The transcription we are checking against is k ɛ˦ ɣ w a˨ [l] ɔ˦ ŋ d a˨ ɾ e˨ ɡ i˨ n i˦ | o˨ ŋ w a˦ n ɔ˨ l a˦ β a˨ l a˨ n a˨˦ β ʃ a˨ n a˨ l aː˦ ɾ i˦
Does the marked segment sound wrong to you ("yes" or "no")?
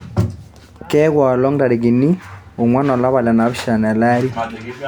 no